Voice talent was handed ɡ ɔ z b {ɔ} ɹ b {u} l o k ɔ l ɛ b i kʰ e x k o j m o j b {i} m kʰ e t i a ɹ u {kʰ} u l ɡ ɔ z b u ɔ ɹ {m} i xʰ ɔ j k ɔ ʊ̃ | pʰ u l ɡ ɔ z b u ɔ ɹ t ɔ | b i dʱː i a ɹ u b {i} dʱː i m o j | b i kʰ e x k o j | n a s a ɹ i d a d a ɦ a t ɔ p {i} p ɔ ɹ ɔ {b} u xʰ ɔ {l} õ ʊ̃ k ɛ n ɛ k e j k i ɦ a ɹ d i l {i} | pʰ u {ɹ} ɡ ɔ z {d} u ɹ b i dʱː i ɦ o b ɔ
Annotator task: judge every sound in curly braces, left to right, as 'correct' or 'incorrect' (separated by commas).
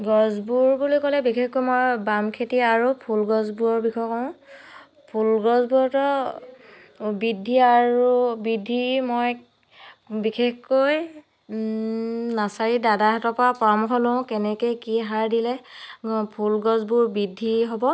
incorrect, correct, incorrect, incorrect, incorrect, correct, incorrect, incorrect, correct, incorrect, incorrect, incorrect